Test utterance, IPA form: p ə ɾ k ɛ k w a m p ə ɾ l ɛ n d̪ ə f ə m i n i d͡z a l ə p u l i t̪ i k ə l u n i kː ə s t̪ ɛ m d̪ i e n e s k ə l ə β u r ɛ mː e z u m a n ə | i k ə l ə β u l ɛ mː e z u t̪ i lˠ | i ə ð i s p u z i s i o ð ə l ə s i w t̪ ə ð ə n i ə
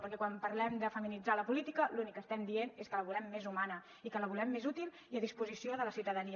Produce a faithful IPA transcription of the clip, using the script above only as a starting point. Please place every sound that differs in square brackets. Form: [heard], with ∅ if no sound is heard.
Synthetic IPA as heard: p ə ɾ k ɛ k w a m p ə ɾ l ɛ [m] d̪ ə f ə m i n i d͡z a l ə p u l i t̪ i k ə l u n i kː ə s t̪ ɛ m d̪ i e n e s k ə l ə β u [l] ɛ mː e z u m a n ə | i k ə l ə β u l ɛ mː e z u t̪ i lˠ | i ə ð i s p u z i s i o ð ə l ə s i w t̪ ə ð ə n i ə